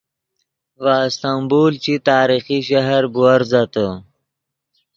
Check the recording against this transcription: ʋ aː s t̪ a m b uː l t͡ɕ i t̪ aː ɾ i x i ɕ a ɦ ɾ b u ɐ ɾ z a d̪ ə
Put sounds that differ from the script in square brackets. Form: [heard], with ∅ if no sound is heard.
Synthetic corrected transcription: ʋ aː s t̪ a m b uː l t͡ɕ i t̪ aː ɾ i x i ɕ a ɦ ɾ b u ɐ ɾ z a [t̪] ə